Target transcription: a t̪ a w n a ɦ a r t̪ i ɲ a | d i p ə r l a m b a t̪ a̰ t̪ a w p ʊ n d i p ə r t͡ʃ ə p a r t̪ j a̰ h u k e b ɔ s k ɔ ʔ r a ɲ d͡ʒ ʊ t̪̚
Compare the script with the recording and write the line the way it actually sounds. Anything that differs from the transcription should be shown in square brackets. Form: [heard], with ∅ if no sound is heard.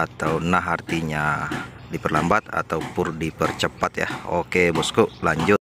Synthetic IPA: a t̪ a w n a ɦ a r t̪ i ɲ a | d i p ə r l a m b a t̪ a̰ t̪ a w p ʊ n d i p ə r t͡ʃ ə p a [∅] t̪ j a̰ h [o] k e b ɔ s k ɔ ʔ [l] a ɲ d͡ʒ ʊ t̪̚

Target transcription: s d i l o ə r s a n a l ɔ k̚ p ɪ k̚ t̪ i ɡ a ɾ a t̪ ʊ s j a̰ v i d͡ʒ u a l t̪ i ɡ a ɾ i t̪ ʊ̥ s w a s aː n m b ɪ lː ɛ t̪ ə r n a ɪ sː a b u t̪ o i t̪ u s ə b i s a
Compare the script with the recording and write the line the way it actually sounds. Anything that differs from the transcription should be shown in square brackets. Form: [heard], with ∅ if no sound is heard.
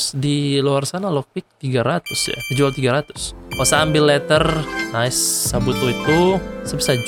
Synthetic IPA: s d i l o [a] r s a n a l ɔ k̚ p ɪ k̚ t̪ i ɡ a ɾ a t̪ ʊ s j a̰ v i d͡ʒ u a l t̪ i ɡ a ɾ [a] t̪ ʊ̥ s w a s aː [∅] m b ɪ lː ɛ t̪ ə r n a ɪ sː a b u t̪ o i t̪ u s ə b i s a

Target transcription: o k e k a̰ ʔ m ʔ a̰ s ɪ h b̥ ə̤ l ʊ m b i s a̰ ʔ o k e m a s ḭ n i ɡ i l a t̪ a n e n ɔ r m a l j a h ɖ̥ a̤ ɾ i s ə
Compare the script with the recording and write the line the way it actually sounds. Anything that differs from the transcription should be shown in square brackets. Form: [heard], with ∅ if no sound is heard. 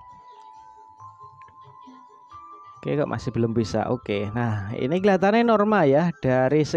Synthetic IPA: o k e k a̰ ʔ m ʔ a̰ s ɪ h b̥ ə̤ l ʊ m b i s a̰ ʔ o k e [n] a [h] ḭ n i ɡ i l a t̪ a n e n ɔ r m a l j a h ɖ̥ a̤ ɾ i s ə

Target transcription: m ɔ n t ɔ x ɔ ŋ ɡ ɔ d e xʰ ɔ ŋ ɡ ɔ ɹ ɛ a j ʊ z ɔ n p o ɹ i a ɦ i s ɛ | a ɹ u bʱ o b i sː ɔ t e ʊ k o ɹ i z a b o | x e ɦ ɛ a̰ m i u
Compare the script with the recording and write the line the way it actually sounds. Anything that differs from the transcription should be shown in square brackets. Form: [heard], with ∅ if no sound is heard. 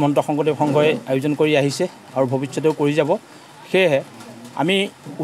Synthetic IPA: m ɔ n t ɔ x ɔ ŋ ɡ ɔ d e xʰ ɔ ŋ ɡ ɔ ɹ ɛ a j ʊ z ɔ n [k] o ɹ i a ɦ i s ɛ | a ɹ u bʱ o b i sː ɔ t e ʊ k o ɹ i z a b [ɔ] | x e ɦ ɛ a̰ m i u

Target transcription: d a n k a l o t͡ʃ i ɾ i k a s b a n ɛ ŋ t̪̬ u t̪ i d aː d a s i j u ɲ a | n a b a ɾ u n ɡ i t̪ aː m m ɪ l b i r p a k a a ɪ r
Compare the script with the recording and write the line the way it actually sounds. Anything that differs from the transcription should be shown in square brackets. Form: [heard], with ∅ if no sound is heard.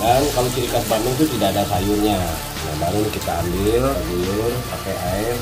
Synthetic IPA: d a n k a l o t͡ʃ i ɾ i k a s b a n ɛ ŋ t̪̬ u t̪ i d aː d a s [a] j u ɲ a | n a b a ɾ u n [k] i t̪ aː m [b] ɪ l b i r p a k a a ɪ r

